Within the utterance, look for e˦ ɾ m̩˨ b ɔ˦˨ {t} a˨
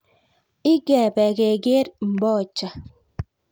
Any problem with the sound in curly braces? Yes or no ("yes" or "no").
yes